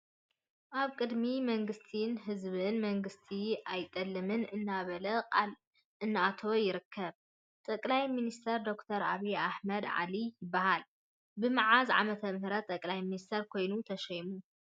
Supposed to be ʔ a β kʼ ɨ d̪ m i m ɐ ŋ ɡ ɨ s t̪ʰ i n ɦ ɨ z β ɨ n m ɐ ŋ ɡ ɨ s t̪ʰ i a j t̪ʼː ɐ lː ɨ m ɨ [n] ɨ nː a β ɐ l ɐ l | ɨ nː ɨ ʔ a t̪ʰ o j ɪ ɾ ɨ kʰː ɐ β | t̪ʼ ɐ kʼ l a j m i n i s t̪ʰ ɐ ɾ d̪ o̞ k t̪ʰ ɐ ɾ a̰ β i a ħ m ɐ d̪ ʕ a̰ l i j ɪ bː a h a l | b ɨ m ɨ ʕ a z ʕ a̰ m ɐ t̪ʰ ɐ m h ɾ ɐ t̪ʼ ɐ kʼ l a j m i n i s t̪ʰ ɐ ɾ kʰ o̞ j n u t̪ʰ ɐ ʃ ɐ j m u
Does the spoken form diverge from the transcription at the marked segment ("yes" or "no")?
no